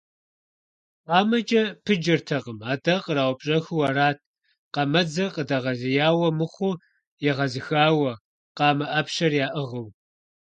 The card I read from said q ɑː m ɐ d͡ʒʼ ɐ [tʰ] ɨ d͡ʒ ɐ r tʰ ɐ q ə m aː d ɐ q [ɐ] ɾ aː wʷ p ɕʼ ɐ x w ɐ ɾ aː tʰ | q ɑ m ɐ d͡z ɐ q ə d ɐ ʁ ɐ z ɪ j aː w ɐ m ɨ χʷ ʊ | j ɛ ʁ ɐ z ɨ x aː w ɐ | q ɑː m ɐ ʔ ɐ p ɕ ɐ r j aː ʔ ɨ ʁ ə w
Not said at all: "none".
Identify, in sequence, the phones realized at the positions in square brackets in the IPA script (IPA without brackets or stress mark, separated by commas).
pʰ, ə